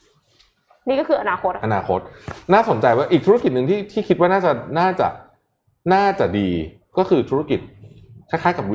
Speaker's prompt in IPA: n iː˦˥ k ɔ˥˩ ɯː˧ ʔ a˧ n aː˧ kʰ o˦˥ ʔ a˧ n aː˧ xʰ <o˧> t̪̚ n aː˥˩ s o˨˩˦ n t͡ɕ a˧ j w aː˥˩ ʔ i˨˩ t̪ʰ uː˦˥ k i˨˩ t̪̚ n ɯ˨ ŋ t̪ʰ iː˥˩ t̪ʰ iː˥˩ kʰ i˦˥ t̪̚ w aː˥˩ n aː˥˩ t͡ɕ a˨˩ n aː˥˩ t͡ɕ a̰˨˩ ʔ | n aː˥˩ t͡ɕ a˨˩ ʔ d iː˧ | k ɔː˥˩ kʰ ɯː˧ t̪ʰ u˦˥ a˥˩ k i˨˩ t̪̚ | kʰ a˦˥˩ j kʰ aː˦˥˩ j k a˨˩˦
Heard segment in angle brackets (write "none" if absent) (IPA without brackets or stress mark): o˦˥